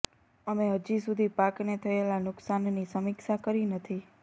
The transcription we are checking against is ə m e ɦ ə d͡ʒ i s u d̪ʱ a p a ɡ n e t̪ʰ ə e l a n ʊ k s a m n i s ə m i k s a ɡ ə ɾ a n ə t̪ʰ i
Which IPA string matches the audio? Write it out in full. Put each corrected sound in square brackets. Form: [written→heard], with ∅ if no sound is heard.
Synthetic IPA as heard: ə m e ɦ ə d͡ʒ i s u d̪ʱ [a→i] p a [ɡ→k] n e t̪ʰ ə e l a n ʊ k s a [m→n] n i s ə m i k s a [ɡ→k] ə ɾ [a→i] n ə t̪ʰ i

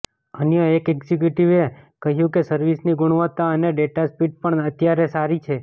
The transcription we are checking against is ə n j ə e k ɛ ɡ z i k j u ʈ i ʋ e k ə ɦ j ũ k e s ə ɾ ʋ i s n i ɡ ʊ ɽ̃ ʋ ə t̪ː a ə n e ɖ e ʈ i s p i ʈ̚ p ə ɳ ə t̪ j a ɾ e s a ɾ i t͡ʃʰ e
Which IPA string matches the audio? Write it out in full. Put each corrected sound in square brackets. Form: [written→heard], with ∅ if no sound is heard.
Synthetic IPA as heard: ə n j ə e k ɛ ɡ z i k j u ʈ i ʋ e k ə ɦ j ũ k e s ə ɾ ʋ i s n i ɡ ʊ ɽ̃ ʋ ə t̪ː a ə n e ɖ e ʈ [i→a] s p i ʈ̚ p ə ɳ ə t̪ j a ɾ e s a ɾ i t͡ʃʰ e

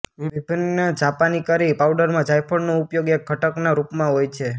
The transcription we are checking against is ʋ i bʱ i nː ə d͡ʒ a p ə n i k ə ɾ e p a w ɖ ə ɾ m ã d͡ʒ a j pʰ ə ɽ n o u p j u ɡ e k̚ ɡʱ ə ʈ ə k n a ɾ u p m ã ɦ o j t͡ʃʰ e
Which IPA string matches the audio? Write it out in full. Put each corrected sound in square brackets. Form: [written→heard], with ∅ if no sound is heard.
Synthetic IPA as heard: ʋ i bʱ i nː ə d͡ʒ a p [ə→a] n i k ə ɾ [e→i] p a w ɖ ə ɾ m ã d͡ʒ a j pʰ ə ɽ n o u p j [u→o] ɡ e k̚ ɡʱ ə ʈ ə k n a ɾ u p m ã ɦ o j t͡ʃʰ e

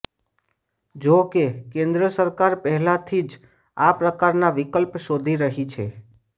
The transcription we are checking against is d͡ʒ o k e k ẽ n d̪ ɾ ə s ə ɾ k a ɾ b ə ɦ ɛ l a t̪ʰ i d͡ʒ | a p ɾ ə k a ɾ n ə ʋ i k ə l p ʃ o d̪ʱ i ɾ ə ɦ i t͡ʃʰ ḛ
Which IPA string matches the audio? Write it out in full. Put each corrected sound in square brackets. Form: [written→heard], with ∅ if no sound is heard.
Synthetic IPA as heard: d͡ʒ o k e k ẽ n d̪ ɾ ə s ə ɾ k a ɾ [b→p] ə ɦ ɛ l a t̪ʰ i d͡ʒ | a p ɾ ə k a ɾ n [ə→a] ʋ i k ə l p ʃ o d̪ʱ i ɾ ə ɦ i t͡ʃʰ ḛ

